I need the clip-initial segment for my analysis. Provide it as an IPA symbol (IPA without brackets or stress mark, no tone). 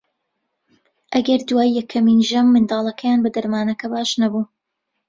ʔ